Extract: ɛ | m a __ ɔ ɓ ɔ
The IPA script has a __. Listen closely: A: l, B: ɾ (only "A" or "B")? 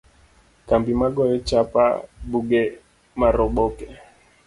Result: B